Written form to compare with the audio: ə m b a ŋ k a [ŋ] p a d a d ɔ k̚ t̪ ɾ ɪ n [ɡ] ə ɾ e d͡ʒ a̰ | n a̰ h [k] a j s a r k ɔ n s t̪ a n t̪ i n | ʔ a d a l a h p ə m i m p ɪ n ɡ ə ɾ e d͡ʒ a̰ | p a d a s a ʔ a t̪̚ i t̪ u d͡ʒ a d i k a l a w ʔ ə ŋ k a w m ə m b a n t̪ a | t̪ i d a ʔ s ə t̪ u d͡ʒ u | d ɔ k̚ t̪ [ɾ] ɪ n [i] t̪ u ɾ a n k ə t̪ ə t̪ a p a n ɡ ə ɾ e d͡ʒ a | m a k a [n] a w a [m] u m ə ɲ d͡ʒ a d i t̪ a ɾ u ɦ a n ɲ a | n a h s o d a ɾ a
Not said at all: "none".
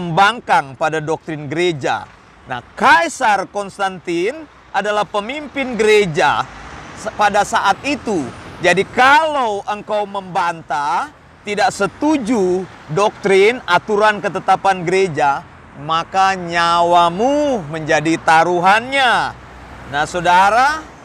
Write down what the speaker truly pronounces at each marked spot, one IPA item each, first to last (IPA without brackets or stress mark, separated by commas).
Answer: ŋ, ɡ, k, ɾ, a, ɲ, m